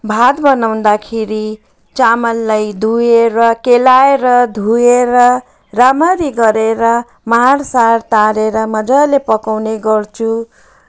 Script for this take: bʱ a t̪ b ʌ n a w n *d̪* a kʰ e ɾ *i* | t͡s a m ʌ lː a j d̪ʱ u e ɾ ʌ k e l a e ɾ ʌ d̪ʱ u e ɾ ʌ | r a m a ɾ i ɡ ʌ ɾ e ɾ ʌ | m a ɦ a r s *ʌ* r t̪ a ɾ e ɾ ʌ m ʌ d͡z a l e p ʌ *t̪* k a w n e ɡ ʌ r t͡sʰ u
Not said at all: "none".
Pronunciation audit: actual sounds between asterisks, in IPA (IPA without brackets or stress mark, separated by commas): d̪, i, a, none